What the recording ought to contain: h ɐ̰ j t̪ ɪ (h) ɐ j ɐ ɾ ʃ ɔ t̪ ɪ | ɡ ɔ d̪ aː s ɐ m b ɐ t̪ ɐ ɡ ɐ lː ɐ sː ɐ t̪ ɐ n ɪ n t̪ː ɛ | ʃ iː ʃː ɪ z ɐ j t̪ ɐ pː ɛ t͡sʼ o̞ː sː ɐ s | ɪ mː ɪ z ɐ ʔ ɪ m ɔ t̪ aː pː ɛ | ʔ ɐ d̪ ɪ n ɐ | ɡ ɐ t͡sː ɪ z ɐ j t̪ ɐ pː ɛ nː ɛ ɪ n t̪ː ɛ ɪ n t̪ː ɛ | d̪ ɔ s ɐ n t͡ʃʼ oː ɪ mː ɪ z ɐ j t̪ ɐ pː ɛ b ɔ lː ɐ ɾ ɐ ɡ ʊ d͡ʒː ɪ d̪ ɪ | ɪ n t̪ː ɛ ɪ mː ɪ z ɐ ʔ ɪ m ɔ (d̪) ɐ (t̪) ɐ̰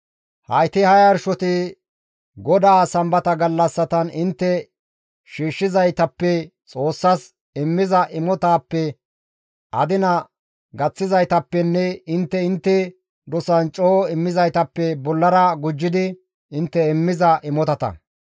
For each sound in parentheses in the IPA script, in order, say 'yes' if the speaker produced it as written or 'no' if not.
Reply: yes, no, yes

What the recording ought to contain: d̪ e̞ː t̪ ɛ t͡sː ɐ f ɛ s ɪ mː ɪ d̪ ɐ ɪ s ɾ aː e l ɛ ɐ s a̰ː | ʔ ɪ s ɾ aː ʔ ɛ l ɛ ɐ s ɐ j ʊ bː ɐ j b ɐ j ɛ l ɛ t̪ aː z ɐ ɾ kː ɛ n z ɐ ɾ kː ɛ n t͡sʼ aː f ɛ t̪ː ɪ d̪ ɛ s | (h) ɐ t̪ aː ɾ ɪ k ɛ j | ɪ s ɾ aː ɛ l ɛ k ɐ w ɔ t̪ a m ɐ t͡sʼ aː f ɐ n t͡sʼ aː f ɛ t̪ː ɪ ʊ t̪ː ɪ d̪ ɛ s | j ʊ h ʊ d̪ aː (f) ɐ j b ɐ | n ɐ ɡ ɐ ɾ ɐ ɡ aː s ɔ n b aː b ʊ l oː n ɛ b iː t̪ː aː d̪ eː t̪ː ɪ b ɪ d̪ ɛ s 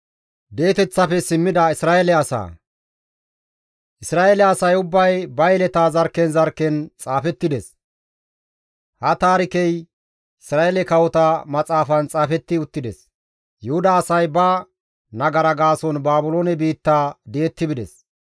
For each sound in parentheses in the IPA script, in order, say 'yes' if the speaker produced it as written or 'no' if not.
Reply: yes, no

